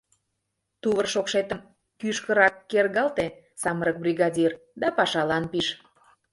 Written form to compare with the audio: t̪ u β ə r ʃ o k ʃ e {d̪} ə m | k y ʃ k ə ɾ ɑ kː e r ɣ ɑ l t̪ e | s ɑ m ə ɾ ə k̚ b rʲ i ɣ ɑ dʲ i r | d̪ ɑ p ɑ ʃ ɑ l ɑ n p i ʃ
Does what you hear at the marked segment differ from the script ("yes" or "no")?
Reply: yes